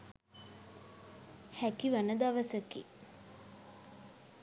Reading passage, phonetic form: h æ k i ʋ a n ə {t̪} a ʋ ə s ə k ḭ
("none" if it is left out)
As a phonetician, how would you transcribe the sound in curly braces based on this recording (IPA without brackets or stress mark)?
d̪